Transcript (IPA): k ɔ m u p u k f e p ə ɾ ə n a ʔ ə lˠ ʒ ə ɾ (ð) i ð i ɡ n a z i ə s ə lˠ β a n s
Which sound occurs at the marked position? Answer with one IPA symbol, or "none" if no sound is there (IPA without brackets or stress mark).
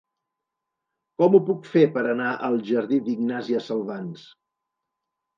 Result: ð